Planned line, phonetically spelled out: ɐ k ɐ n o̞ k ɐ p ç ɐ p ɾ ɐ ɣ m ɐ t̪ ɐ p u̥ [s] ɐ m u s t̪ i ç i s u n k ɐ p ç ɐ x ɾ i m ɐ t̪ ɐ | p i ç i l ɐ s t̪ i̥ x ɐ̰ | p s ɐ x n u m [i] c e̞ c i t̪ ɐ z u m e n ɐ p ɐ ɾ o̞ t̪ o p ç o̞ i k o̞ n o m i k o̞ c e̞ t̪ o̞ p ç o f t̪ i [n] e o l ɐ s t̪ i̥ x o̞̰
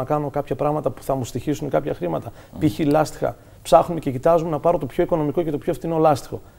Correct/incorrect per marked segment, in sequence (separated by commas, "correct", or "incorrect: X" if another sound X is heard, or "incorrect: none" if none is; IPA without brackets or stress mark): incorrect: θ, incorrect: e, correct